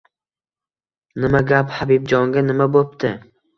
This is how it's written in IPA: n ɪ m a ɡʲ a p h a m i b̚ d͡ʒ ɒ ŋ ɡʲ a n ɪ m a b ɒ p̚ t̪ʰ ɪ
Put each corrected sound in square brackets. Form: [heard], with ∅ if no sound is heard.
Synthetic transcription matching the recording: n ɪ m a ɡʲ a p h a [b] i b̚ d͡ʒ ɒ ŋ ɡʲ a n ɪ m a b [o] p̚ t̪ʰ ɪ

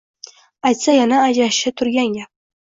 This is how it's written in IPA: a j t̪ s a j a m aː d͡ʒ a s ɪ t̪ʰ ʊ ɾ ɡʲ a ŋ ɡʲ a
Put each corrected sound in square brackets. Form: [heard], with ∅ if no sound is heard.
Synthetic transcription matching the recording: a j t̪ s a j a [n] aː d͡ʒ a [ʃ] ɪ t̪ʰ ʊ ɾ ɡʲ a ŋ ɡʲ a

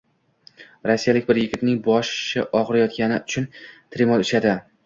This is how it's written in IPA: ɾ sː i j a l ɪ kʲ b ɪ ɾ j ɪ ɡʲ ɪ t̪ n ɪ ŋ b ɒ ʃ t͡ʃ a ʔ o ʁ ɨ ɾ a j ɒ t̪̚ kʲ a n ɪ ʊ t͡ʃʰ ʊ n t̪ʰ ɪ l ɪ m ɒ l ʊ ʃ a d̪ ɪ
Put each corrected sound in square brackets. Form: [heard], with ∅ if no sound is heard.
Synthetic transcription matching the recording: ɾ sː i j a l ɪ kʲ b ɪ ɾ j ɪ ɡʲ ɪ t̪ n ɪ ŋ b ɒ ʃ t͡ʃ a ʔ [ɒ] ʁ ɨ ɾ a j ɒ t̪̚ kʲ a n ɪ ʊ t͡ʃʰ ʊ n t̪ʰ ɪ [ɾ] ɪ m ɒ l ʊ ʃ a d̪ ɪ

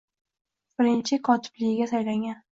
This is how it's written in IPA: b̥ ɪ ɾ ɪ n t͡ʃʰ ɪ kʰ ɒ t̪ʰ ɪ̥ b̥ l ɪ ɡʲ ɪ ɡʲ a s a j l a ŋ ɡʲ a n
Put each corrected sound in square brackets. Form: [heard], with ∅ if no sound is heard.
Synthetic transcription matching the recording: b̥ ɪ ɾ ɪ n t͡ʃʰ ɪ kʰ ɒ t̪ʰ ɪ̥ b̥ l ɪ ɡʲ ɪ ɡʲ a s a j l a ŋ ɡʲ a n

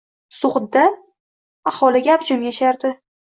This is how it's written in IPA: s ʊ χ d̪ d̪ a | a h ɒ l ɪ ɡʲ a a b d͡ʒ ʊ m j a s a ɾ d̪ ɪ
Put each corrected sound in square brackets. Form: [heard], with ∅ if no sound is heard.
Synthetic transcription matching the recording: s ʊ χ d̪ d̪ a | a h ɒ l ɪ ɡʲ a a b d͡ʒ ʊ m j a [ʃ] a ɾ d̪ ɪ

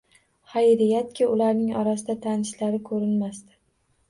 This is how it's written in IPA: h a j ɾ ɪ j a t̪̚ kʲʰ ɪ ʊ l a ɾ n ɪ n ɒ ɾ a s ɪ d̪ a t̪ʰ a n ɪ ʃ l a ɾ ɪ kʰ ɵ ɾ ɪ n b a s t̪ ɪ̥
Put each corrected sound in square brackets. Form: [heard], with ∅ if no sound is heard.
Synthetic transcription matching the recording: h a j ɾ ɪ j a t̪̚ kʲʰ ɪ ʊ l a ɾ n ɪ [ŋ] ɒ ɾ a s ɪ d̪ a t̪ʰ a n ɪ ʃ l a ɾ ɪ kʰ ɵ ɾ ɪ n [m] a s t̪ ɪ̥

